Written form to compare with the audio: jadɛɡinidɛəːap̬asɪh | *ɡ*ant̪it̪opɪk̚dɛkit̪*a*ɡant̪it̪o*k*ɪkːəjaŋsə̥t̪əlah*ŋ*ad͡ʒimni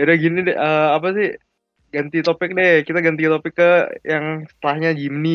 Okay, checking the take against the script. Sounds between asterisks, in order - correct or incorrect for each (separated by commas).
correct, correct, incorrect, incorrect